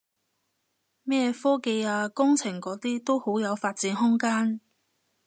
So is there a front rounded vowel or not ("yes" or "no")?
no